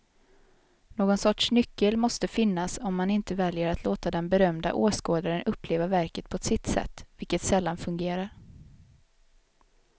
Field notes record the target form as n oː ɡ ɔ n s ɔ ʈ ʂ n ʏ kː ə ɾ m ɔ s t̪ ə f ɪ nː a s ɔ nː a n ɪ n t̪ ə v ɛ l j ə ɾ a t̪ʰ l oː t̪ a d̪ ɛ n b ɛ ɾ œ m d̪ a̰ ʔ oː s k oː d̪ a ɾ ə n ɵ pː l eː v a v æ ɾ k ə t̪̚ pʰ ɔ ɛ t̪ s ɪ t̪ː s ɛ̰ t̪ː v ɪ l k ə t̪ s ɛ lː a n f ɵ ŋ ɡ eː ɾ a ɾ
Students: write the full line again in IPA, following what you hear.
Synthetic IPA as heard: n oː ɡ ɔ n s ɔ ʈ ʂ n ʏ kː ə l m ɔ s t̪ ə f ɪ nː a s ɔ mː a n ɪ n t̪ ə v ɛ l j ə ɾ a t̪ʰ l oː t̪ a d̪ ɛ n b ɛ ɾ œ m d̪ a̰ ʔ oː s k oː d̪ a ɾ ə n ɵ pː l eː v a v æ ɾ k ə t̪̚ pʰ ɔ ɛ t̪ s ɪ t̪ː s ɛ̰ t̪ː v ɪ l k ə t̪ s ɛ lː a n f ɵ ŋ ɡ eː ɾ a ɾ